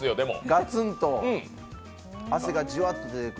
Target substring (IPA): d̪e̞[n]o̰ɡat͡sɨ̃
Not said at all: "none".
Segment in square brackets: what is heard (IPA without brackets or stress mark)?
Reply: m